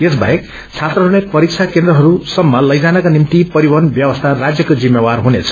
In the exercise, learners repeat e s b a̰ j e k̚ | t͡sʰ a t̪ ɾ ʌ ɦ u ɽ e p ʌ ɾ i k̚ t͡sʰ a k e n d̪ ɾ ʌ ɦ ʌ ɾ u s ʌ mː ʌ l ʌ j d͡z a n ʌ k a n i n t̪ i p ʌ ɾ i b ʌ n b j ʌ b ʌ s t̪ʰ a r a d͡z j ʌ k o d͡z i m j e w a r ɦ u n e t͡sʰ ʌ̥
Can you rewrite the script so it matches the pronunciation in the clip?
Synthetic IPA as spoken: e s b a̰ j e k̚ | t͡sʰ a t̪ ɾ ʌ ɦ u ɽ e p ʌ ɾ i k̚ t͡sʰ a k e n d̪ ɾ ʌ ɦ ʌ ɾ u s ʌ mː ʌ l ʌ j d͡z a n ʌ k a n i m t̪ i p ʌ ɾ i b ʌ n b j ʌ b ʌ s t̪ʰ a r a d͡z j ʌ k o d͡z i m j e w a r ɦ u n e t͡sʰ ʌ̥